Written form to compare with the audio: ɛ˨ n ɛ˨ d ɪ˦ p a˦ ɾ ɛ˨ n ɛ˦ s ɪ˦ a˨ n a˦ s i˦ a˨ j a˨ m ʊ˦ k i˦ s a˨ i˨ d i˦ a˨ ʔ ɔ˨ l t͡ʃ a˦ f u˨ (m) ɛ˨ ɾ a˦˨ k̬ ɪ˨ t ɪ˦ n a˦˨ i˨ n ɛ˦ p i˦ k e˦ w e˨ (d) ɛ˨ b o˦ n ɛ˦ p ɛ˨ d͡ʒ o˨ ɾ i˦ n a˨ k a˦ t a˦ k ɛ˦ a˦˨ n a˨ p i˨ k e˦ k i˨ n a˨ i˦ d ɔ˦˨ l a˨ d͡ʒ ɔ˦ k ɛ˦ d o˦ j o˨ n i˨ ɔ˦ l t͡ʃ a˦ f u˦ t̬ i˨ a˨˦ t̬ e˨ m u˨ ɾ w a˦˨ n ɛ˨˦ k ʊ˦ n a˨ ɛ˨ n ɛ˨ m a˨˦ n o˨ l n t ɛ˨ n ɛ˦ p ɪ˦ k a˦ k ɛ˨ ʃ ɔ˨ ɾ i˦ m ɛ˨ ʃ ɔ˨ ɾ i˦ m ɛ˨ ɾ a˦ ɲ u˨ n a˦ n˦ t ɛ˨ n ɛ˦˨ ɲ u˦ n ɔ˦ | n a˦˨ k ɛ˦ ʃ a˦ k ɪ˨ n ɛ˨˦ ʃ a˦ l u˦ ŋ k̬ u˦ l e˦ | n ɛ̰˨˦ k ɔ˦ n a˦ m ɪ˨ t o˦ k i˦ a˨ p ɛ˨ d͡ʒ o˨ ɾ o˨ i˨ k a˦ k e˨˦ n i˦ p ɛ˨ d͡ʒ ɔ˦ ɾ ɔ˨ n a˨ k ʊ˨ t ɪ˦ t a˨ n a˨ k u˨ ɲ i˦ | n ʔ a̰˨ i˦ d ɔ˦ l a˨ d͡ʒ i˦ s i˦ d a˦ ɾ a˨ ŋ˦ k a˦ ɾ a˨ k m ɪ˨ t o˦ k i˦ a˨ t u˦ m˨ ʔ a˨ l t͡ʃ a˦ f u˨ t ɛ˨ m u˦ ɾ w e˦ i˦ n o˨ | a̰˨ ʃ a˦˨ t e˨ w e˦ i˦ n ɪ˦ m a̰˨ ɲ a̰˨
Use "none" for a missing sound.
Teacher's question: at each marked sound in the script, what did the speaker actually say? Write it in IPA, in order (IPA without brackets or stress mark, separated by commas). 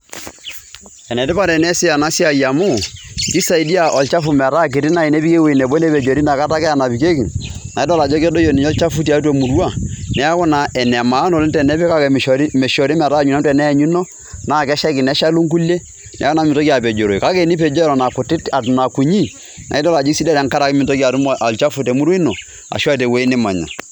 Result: m, n